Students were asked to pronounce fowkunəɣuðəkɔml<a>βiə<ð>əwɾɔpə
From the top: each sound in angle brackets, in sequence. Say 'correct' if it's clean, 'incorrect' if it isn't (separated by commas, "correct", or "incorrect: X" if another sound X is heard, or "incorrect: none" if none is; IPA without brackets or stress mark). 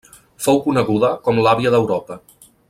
correct, correct